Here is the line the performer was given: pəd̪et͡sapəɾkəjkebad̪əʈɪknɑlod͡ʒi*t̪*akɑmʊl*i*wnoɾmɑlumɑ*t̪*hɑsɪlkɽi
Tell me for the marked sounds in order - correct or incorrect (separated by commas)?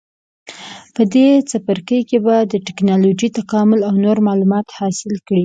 correct, incorrect, correct